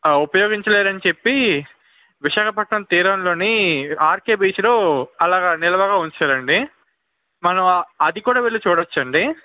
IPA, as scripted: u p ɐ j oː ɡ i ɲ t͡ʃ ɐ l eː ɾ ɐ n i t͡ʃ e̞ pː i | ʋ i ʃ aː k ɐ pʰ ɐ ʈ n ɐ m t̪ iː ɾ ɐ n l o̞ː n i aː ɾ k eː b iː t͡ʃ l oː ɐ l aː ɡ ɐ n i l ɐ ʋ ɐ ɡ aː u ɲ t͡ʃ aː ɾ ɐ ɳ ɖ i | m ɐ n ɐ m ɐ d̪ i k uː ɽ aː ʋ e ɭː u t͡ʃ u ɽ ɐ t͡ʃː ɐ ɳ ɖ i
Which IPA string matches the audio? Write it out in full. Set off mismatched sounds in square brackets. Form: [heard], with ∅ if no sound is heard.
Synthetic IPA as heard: u p ɐ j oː ɡ i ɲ t͡ʃ ɐ l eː ɾ ɐ n i t͡ʃ e̞ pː i | ʋ i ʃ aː k ɐ [p] ɐ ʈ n ɐ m t̪ iː ɾ ɐ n l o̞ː n i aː ɾ k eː b iː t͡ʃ l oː ɐ l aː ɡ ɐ n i l ɐ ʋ ɐ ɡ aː u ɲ t͡ʃ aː ɾ ɐ ɳ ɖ i | m ɐ n ɐ m ɐ d̪ i k uː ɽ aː ʋ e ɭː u t͡ʃ [uː] ɽ ɐ t͡ʃː ɐ ɳ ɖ i